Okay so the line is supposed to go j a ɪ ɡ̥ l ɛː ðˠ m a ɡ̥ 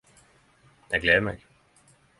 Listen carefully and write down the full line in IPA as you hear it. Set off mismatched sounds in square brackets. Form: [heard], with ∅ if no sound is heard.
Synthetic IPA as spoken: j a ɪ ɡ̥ l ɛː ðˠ m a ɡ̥